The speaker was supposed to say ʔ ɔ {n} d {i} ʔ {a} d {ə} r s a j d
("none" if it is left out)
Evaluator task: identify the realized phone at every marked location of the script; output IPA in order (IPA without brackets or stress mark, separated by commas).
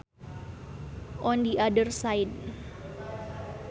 n, i, a, ə